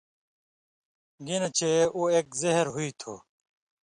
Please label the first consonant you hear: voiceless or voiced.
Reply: voiced